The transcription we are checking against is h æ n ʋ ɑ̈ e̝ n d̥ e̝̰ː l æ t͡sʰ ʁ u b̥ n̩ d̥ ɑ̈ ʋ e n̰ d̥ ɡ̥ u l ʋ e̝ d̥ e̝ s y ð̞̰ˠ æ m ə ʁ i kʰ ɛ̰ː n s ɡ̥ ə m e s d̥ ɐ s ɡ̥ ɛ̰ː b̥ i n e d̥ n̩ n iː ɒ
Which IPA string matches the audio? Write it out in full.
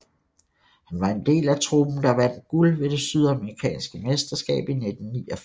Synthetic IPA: h æ n ʋ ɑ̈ e̝ n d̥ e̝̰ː l æ t͡sʰ ʁ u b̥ n̩ d̥ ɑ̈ ʋ æ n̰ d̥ ɡ̥ u l ʋ e̝ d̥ e̝ s y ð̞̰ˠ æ m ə ʁ i kʰ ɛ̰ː n s ɡ̥ ə m e s d̥ ɐ s ɡ̥ ɛ̰ː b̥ i n e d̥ n̩ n iː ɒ